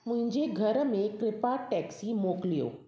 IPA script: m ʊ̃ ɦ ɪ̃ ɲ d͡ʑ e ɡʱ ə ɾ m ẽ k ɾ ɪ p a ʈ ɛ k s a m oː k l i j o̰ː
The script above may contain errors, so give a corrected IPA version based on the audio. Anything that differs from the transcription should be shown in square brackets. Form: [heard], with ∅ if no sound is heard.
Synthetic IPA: m ʊ̃ ɦ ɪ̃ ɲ d͡ʑ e ɡʱ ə ɾ m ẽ k ɾ ɪ p a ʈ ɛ k s [i] m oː k l i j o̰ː